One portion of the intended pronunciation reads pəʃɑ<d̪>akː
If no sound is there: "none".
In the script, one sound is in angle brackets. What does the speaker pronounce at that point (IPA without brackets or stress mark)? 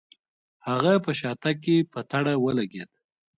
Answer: t̪